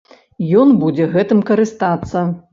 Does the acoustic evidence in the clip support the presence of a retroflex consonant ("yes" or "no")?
no